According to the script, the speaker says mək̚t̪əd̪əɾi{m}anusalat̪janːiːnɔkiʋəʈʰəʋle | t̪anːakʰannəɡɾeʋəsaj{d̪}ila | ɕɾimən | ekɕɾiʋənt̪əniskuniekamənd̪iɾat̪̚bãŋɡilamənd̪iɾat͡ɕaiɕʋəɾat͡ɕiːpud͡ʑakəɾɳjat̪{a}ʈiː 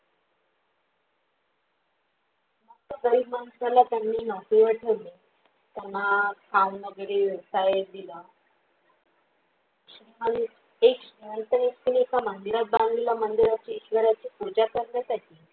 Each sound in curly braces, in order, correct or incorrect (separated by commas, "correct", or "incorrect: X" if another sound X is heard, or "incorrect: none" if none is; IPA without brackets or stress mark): correct, correct, correct